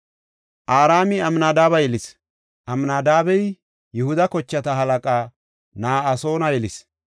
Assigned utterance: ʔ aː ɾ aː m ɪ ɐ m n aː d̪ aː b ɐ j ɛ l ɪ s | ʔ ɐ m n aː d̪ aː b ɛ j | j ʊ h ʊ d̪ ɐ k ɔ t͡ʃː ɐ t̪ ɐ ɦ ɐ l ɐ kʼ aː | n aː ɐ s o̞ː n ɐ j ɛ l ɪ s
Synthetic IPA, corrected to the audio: ʔ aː ɾ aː m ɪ ɐ m n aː d̪ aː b ɐ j ɛ l ɪ s | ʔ ɐ m n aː d̪ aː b ɛ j | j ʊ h ʊ d̪ ɐ k ɔ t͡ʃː ɐ t̪ ɐ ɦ ɐ l ɐ kʼ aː | n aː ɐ s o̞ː n ɐ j ɛ l ɪ s